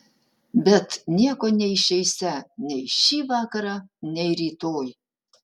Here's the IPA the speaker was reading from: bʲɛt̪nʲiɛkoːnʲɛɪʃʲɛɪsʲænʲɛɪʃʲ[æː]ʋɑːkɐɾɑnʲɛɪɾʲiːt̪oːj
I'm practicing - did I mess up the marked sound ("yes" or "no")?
yes